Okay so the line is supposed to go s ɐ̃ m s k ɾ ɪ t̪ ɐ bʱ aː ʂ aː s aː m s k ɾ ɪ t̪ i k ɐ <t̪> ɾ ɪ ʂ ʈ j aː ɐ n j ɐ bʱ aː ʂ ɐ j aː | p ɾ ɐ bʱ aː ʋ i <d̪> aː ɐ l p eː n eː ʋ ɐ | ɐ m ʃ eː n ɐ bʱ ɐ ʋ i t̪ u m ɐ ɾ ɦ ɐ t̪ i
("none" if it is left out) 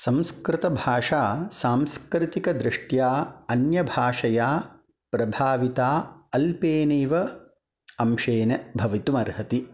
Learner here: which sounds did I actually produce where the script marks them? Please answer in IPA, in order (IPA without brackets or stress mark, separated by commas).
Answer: d̪, t̪